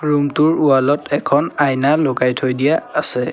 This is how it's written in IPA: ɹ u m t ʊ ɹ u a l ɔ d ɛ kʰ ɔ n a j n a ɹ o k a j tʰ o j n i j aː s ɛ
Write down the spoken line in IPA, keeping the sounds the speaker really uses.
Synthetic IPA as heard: ɹ u m t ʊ ɹ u a l ɔ t ɛ kʰ ɔ n a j n a l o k a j tʰ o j d i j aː s ɛ